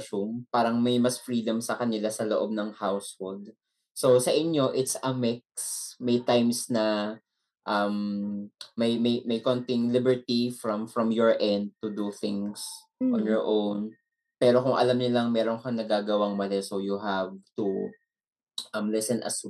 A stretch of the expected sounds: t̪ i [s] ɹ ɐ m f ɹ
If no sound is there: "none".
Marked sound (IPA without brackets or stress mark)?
f